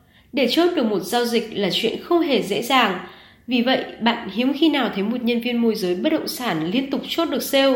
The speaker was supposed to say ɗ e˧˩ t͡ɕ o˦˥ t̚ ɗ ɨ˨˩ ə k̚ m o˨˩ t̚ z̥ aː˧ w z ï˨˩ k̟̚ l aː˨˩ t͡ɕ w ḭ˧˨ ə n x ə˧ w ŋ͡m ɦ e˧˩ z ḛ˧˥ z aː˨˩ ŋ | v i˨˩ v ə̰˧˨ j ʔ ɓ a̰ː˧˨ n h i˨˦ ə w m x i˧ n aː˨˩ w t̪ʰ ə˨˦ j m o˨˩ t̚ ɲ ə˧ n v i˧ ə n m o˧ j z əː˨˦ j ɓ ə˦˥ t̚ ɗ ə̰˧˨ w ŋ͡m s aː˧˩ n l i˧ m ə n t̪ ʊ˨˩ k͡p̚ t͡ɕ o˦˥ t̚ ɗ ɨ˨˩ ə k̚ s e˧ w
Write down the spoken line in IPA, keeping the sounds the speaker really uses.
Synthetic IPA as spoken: ɗ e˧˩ t͡ɕ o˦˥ t̚ ɗ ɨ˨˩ ə k̚ m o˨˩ t̚ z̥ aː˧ w z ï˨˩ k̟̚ l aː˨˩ t͡ɕ w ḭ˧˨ ə n x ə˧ w ŋ͡m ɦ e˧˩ z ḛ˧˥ z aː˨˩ ŋ | v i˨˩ v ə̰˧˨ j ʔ ɓ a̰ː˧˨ n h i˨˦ ə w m x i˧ n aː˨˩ w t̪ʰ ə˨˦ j m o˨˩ t̚ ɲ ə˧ n v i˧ ə n m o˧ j z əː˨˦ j ɓ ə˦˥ t̚ ɗ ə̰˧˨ w ŋ͡m s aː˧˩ n l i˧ ə n t̪ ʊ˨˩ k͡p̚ t͡ɕ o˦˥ t̚ ɗ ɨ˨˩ ə k̚ s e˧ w